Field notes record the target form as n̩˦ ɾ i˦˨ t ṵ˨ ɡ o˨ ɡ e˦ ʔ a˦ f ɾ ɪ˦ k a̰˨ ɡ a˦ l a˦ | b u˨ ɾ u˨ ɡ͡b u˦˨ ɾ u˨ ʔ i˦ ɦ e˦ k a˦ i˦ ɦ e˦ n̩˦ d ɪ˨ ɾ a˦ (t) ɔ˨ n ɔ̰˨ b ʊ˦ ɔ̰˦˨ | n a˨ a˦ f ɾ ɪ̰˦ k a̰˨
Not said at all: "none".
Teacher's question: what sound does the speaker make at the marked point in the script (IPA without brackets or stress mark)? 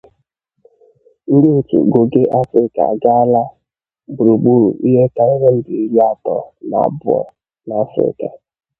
t